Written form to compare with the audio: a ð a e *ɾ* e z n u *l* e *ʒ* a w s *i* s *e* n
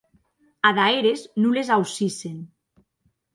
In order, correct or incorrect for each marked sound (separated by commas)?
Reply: correct, correct, incorrect, correct, correct